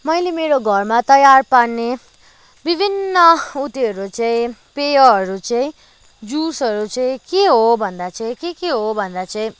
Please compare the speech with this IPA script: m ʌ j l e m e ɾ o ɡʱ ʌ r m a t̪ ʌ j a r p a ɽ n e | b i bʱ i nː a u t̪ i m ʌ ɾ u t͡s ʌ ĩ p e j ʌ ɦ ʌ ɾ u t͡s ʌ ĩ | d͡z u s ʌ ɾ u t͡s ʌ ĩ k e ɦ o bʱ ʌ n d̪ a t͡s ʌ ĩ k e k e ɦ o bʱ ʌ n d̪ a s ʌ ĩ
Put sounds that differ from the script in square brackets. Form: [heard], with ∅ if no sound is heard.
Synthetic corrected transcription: m ʌ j l e m e ɾ o ɡʱ ʌ r m a t̪ ʌ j a r p a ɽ n e | b i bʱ i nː [ʌ] u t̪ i [∅] ʌ ɾ u t͡s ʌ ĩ p e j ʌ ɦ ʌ ɾ u t͡s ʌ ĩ | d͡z u s ʌ ɾ u t͡s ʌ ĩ k e ɦ o bʱ ʌ n d̪ a t͡s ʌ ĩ k e k e ɦ o bʱ ʌ n d̪ a [t͡s] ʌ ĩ